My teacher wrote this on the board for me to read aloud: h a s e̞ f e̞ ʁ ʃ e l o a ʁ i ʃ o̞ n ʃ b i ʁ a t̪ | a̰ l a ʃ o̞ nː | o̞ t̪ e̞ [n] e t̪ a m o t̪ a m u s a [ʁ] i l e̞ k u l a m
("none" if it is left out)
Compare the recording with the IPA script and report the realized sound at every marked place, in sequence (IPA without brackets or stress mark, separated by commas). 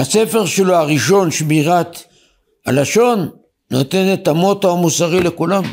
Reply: n, ʁ